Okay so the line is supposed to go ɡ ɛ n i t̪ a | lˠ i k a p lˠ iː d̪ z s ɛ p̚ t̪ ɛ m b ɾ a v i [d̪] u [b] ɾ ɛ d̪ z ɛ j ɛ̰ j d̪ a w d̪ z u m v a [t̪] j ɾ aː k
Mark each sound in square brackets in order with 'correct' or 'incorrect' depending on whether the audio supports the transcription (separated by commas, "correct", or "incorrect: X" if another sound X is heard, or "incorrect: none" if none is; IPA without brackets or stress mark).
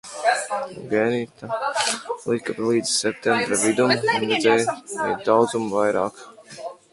correct, incorrect: m, incorrect: none